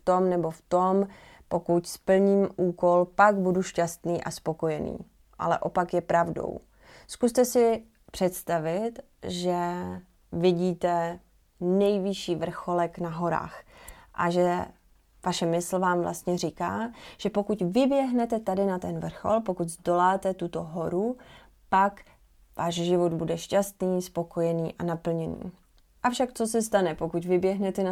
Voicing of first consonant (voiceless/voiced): voiceless